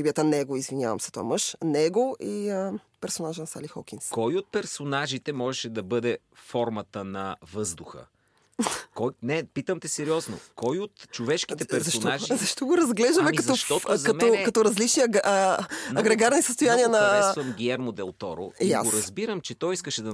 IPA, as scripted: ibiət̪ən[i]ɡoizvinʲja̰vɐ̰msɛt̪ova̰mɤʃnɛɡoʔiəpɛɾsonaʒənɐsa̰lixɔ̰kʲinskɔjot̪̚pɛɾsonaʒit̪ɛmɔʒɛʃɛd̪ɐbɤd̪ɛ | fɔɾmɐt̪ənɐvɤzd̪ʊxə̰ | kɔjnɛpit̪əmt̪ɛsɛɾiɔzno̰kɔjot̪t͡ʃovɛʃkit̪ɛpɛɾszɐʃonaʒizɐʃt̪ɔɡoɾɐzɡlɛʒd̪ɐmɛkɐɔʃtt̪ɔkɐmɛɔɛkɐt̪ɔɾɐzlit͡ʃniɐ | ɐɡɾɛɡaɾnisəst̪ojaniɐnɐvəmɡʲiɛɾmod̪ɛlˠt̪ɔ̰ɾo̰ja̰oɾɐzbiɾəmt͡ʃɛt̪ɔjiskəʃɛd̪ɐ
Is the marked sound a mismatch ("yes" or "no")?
yes